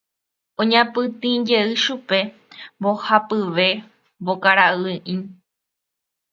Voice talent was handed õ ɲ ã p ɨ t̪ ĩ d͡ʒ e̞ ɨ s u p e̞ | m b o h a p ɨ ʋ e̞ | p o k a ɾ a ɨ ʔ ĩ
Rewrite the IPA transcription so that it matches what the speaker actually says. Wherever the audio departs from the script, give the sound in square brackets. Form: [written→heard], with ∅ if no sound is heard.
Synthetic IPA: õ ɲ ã p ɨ t̪ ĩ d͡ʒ e̞ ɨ [s→ʃ] u p e̞ | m b o h a p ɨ ʋ e̞ | [p→b] o k a ɾ a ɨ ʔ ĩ

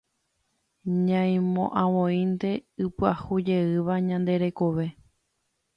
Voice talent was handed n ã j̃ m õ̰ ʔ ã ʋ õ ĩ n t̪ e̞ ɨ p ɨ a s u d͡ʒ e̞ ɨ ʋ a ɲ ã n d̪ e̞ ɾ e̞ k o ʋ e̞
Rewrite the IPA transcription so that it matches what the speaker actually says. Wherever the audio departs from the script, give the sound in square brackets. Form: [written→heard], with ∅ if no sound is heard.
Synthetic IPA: [n→ɲ] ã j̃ m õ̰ ʔ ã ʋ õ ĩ n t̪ e̞ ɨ p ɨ a [s→h] u d͡ʒ e̞ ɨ ʋ a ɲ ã n d̪ e̞ ɾ e̞ k o ʋ e̞

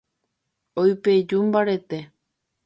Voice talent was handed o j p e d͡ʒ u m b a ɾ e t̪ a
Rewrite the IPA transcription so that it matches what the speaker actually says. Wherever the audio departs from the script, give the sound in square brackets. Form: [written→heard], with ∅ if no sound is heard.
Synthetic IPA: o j p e d͡ʒ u m b a ɾ e t̪ [a→e]

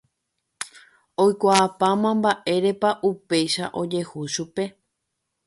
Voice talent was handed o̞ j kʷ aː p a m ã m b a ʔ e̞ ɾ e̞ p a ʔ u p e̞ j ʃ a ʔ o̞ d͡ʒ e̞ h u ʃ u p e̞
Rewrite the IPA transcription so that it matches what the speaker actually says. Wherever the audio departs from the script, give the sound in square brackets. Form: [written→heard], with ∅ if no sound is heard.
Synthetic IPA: o̞ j kʷ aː p a m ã m b a ʔ e̞ ɾ e̞ p a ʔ u p e̞ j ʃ a ʔ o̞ d͡ʒ e̞ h u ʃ u p e̞

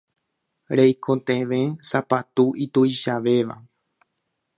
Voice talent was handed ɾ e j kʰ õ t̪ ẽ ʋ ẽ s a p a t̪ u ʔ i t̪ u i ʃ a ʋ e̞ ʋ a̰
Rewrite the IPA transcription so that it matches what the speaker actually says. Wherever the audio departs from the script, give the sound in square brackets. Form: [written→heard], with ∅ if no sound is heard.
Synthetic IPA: ɾ e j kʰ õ t̪ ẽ ʋ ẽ s a p a t̪ u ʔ i t̪ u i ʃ a ʋ e̞ ʋ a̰

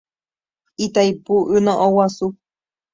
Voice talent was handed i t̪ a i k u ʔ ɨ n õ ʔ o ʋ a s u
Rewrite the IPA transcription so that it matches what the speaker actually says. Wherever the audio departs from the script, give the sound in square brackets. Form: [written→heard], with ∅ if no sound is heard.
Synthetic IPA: i t̪ a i [k→p] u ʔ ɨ n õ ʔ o [ʋ→w] a s u

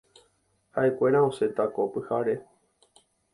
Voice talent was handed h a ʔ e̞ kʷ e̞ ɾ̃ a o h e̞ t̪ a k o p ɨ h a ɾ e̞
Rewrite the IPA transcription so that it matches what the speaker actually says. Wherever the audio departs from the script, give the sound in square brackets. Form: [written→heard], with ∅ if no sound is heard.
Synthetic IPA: h a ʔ e̞ kʷ e̞ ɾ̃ a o [h→s] e̞ t̪ a k o p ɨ h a ɾ e̞

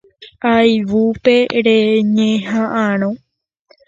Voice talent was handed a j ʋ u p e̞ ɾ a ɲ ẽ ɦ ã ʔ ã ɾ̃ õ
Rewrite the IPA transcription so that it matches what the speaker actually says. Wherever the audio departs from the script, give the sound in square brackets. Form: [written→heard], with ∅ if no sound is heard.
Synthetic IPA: a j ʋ u p e̞ ɾ [a→e] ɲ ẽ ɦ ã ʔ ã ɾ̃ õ

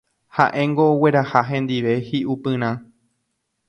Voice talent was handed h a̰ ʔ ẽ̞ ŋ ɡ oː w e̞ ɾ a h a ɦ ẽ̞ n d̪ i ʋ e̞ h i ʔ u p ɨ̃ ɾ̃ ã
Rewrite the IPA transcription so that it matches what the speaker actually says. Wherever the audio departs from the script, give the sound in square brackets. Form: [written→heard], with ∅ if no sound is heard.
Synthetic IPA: h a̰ ʔ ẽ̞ ŋ ɡ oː w e̞ ɾ a h a ɦ ẽ̞ n d̪ i ʋ e̞ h i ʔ u p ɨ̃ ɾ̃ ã

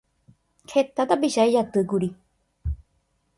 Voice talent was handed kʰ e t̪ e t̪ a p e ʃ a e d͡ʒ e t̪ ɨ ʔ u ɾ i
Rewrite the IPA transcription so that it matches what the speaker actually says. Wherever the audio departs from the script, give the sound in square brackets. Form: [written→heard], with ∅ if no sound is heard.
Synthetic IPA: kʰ e t̪ [e→a] t̪ a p [e→i] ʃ a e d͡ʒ [e→a] t̪ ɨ [ʔ→k] u ɾ i

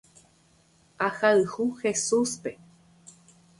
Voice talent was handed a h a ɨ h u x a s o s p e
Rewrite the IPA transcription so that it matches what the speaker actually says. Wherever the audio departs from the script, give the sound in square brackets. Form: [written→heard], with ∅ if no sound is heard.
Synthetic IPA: a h a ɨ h u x [a→e] s [o→u] s p e

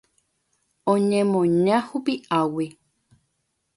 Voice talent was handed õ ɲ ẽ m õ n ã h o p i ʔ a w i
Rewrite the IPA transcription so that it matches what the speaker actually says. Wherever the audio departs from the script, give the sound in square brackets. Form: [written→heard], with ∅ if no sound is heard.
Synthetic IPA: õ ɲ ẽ m õ [n→ɲ] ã h [o→u] p i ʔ a w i

